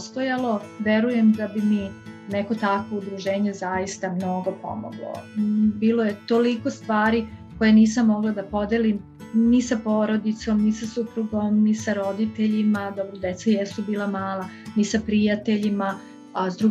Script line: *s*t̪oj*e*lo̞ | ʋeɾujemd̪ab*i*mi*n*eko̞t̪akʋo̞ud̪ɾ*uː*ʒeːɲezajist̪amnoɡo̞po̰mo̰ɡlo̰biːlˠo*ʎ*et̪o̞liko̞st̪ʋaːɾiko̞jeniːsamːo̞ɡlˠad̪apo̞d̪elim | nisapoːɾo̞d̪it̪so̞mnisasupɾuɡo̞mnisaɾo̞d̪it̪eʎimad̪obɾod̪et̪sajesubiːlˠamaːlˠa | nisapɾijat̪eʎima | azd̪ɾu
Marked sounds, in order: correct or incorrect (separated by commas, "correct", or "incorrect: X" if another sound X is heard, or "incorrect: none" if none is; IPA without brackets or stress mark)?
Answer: correct, incorrect: a, correct, correct, incorrect: u, incorrect: j